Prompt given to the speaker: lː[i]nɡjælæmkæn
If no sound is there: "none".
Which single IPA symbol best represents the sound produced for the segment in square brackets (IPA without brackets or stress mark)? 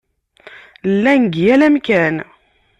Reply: æ